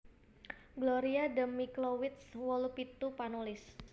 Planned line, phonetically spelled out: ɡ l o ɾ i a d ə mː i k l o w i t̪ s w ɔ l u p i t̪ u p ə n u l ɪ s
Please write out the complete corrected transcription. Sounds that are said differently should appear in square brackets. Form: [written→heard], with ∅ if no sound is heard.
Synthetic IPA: ɡ l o ɾ i a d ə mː i k l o w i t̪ s w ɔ l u p i t̪ u p [ə→a] n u l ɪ s